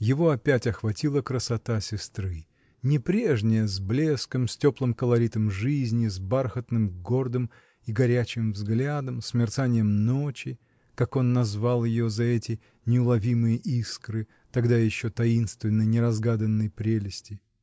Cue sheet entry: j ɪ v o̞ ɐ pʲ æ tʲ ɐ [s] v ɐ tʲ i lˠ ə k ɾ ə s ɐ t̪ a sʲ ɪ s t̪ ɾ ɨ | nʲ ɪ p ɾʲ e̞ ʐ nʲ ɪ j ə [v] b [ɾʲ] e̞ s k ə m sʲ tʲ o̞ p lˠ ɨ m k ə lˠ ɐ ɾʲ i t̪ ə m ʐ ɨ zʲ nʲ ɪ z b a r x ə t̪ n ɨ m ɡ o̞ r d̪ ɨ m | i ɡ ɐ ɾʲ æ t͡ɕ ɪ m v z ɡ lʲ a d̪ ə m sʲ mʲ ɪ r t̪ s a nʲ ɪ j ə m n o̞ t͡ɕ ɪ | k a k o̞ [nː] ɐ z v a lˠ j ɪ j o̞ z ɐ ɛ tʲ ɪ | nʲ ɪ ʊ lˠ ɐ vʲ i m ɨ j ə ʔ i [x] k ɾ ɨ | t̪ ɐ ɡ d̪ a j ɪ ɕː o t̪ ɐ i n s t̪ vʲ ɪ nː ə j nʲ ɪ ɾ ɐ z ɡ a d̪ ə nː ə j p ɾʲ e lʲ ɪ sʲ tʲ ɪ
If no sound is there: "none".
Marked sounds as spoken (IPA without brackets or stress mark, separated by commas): x, z, lʲ, nː, s